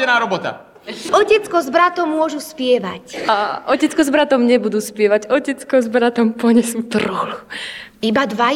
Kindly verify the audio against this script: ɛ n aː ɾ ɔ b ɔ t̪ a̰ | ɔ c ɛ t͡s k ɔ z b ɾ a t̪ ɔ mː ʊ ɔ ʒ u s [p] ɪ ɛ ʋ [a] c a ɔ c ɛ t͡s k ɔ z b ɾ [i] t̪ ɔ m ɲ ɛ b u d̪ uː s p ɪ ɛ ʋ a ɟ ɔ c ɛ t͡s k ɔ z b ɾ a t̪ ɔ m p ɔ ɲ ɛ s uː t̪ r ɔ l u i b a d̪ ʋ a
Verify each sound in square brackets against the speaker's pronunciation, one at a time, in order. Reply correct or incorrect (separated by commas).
correct, correct, incorrect